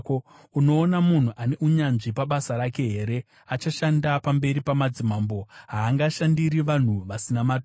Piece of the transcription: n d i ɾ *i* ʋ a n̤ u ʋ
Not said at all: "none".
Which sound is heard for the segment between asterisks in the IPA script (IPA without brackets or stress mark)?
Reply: i